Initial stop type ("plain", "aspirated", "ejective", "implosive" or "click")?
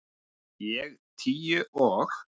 aspirated